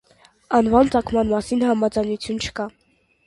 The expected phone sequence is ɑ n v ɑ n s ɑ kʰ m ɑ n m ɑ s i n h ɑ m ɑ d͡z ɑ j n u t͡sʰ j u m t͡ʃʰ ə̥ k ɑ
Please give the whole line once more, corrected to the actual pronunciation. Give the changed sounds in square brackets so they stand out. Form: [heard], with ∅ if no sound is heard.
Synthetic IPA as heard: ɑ n v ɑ n [t͡s] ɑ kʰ m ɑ n m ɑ s i n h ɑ m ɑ d͡z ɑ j n u t͡sʰ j u [n] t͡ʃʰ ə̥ k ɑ